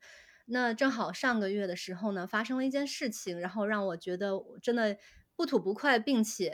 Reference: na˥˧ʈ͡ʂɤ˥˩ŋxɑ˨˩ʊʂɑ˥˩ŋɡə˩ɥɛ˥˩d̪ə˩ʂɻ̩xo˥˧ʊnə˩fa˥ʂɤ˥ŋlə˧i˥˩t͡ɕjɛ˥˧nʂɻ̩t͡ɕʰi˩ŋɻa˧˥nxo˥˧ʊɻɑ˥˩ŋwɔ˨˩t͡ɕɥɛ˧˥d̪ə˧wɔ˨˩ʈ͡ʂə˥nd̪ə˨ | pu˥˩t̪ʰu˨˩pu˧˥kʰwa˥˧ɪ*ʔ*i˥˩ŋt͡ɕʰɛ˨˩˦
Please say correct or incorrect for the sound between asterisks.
incorrect